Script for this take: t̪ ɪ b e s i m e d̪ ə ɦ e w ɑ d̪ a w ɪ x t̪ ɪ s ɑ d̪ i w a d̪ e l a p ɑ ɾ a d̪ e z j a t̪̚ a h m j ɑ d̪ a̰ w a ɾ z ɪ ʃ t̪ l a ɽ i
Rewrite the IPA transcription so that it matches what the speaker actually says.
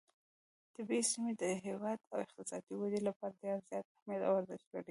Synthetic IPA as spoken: t̪ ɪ b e s i m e d̪ ə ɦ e w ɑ d̪ a w ɪ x t̪ ɪ s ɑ d̪ i w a d̪ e l a p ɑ ɾ a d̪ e z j ɑ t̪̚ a h m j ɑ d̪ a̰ w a ɾ z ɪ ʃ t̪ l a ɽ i